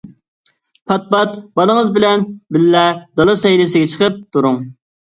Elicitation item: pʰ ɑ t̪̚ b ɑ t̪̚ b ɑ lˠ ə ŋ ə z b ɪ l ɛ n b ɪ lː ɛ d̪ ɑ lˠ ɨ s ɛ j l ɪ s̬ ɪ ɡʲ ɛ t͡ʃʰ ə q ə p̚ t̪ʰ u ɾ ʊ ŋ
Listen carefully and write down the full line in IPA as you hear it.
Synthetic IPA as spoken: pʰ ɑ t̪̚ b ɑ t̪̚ b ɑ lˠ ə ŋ ə z b ɪ l ɛ n b ɪ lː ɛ d̪ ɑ lˠ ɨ s ɛ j l ɪ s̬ ɪ ɡʲ ɛ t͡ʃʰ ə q ə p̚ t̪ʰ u ɾ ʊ ŋ